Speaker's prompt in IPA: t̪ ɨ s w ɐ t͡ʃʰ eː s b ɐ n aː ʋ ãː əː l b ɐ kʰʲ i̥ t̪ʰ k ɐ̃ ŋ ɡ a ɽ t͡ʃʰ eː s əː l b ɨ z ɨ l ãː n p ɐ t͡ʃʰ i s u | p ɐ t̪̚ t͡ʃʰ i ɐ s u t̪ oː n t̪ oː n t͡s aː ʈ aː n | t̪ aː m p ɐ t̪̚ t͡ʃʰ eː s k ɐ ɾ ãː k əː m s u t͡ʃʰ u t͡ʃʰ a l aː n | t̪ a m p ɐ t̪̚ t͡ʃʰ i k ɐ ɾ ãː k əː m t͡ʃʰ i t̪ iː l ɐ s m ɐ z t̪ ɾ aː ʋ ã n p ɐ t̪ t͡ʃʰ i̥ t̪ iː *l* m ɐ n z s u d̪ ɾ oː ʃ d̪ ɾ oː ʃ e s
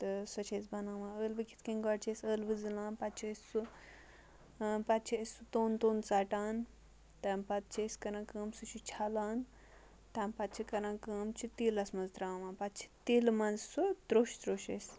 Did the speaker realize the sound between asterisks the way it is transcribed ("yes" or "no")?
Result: yes